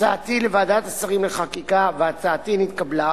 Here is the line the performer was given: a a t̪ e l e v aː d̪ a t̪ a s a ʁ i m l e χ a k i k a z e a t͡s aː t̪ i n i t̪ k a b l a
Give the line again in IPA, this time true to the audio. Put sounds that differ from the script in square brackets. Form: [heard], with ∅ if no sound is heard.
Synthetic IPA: a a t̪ [i] l e v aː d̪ a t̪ a s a ʁ i m l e χ a k i k a [v] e a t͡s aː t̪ i n i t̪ k a b l a